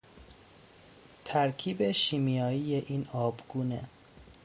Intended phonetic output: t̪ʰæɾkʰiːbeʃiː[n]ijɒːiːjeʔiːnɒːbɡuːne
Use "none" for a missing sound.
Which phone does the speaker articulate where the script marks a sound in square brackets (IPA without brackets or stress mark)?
m